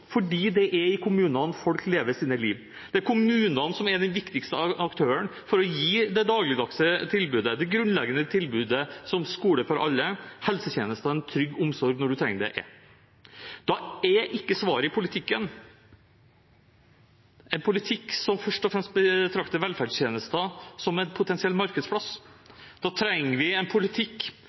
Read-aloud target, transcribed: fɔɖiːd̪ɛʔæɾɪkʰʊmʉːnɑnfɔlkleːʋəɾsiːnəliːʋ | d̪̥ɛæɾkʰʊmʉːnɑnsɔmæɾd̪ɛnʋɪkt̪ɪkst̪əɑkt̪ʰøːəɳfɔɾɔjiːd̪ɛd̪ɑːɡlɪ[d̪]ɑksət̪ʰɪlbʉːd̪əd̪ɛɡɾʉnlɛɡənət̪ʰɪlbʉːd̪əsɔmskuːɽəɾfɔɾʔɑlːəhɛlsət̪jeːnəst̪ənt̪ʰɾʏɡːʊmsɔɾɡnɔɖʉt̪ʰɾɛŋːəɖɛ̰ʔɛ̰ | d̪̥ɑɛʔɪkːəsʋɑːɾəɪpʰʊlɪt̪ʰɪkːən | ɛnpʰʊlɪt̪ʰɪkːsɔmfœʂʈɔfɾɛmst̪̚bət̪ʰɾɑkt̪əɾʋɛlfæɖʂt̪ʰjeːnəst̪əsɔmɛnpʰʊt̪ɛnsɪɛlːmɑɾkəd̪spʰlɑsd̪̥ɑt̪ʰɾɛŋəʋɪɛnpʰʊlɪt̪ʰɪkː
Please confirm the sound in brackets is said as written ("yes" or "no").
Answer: yes